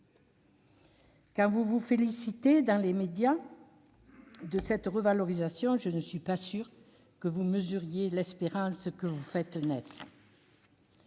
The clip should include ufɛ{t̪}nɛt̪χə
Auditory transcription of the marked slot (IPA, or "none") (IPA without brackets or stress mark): t̪